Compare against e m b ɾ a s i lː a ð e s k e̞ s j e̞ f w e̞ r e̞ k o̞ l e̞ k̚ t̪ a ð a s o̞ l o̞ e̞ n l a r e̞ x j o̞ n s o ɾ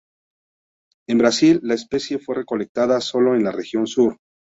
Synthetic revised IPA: e m b ɾ a s i lː a e s p e̞ s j e̞ f w e̞ r e̞ k o̞ l e̞ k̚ t̪ a ð a s o̞ l o̞ e̞ n l a r e̞ x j o̞ n s u ɾ